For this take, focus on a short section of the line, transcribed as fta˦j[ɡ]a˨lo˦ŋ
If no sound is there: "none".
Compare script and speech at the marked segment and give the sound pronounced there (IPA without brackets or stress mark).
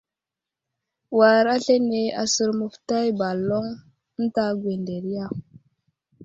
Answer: b